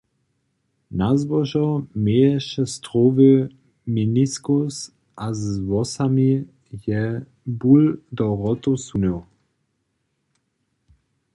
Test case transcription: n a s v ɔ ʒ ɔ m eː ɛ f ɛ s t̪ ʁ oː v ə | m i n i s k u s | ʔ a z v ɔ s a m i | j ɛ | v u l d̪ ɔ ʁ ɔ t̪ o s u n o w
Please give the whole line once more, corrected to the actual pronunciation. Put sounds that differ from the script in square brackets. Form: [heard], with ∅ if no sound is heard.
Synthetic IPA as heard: n a [z] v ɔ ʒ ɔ m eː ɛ [ʃ] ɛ s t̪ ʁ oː v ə | m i n i s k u s | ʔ a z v ɔ s a m i | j ɛ | [b] u l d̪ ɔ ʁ ɔ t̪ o s u n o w